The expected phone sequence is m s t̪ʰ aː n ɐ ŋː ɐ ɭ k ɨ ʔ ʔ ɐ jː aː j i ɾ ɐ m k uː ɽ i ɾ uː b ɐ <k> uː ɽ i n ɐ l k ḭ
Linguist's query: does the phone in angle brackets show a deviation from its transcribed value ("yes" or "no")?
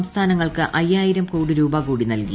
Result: no